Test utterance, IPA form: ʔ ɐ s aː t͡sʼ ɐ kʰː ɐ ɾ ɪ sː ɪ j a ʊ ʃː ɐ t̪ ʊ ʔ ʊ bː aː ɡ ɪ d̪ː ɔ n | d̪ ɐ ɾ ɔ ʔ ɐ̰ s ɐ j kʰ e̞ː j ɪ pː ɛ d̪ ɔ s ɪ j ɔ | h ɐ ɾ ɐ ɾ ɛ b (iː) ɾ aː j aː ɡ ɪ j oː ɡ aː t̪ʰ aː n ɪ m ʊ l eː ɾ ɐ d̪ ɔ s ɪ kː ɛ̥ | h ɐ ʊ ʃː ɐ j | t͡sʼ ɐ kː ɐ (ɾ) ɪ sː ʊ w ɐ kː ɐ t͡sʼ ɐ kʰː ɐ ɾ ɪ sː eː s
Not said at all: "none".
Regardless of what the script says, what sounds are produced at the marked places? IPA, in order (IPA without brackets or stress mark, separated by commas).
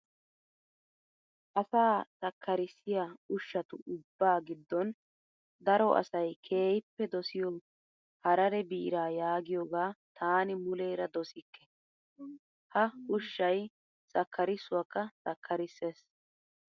iː, ɾ